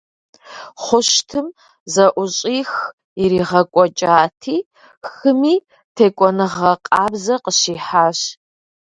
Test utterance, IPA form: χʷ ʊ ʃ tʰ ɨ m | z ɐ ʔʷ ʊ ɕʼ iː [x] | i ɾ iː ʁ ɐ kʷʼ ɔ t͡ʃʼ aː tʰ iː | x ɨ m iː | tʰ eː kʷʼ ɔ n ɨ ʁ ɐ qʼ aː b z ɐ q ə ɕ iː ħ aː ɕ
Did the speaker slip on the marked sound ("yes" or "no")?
no